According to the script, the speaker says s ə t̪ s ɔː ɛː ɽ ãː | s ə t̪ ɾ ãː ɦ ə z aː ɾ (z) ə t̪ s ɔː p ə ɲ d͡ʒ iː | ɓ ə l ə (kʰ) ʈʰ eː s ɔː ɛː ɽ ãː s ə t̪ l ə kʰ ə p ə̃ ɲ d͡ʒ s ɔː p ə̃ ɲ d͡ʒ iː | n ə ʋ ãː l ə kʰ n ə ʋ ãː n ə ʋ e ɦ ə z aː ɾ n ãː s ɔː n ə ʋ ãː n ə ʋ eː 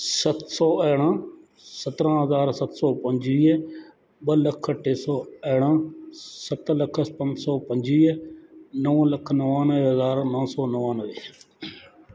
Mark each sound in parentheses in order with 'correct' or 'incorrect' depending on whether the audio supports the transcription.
incorrect: s, correct

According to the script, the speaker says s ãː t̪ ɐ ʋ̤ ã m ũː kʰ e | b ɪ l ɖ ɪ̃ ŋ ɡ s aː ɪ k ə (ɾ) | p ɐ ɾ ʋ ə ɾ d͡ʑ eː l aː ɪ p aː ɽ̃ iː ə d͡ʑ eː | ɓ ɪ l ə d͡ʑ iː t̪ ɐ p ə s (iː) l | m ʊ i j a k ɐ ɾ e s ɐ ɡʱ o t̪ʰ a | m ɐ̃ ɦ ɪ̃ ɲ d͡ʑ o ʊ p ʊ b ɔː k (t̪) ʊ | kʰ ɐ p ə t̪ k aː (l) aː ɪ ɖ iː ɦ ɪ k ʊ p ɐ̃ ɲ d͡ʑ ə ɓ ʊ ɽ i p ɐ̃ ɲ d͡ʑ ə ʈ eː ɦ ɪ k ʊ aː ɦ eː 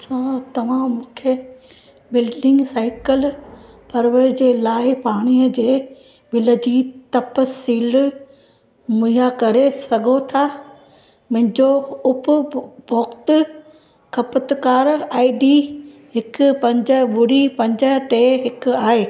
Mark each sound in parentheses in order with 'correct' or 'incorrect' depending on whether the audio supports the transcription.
incorrect: l, correct, correct, incorrect: ɾ

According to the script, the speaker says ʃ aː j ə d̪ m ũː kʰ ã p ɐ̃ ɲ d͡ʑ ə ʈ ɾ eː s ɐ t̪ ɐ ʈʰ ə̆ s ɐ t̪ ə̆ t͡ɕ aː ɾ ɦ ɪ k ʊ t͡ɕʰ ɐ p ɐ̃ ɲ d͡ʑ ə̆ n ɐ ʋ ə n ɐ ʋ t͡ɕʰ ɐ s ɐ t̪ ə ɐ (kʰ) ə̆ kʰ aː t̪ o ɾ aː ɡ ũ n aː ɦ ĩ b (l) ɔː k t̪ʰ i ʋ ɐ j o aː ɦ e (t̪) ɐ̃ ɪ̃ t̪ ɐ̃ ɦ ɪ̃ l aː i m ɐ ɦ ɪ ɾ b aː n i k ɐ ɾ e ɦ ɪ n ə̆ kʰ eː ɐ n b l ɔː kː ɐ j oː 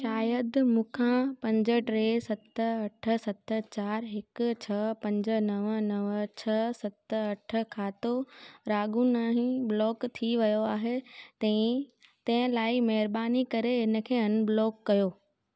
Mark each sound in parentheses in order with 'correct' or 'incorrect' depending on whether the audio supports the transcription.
incorrect: ʈʰ, correct, correct

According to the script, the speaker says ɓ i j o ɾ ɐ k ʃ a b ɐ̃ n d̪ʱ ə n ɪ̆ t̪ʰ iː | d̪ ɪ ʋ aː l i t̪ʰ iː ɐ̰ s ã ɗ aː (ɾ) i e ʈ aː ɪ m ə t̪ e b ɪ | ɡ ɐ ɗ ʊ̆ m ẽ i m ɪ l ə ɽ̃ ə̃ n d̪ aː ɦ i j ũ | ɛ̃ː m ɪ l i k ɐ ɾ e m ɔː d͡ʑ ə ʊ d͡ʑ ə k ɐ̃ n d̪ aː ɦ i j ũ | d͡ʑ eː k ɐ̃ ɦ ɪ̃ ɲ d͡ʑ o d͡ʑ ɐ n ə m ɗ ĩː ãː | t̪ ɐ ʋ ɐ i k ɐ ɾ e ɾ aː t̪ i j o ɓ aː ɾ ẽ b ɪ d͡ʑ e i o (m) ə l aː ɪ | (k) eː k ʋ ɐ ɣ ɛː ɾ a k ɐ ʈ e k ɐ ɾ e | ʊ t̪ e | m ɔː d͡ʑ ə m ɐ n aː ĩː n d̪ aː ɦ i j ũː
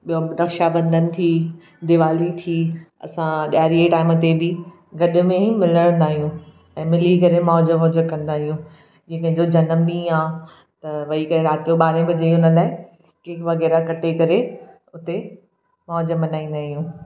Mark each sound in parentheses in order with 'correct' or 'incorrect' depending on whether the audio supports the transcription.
correct, incorrect: n, correct

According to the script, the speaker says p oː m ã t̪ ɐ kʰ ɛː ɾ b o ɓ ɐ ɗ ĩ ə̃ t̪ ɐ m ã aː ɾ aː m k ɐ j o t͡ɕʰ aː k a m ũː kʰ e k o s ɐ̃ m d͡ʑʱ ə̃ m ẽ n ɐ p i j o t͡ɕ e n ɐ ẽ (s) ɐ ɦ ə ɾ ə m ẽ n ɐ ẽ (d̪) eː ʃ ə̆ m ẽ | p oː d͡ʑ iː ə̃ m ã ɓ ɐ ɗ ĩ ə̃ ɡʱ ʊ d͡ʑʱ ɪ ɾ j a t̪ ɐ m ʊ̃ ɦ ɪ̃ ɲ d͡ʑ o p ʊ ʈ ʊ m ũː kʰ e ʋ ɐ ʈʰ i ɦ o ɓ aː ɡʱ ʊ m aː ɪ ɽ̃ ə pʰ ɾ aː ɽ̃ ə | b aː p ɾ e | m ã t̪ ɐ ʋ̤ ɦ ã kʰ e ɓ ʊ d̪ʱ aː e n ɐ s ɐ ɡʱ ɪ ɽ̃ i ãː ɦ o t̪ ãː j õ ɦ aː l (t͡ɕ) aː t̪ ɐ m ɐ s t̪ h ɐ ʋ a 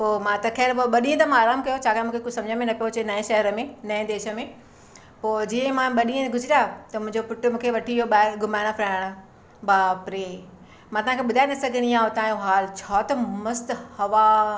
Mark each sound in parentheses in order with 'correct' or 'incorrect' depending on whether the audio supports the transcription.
incorrect: ʃ, correct, incorrect: t͡ɕʰ

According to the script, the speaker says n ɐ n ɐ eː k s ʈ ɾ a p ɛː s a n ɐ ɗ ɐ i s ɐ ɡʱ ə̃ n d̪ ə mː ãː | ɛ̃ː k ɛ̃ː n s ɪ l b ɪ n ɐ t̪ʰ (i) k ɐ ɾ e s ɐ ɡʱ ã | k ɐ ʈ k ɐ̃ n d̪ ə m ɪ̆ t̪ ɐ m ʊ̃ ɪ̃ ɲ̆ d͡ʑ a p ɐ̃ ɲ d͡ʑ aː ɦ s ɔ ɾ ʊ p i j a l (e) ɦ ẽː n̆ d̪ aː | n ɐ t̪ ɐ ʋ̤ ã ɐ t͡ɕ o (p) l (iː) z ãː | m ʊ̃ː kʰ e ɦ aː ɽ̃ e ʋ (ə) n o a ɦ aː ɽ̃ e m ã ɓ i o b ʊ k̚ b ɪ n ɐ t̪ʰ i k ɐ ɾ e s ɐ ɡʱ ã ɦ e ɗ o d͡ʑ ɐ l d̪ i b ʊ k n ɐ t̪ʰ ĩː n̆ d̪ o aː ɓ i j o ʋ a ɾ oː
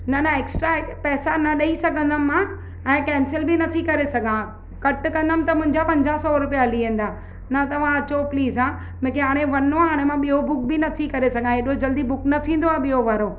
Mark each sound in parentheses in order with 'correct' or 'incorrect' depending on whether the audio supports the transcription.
correct, incorrect: i, correct, correct, incorrect: ɐ

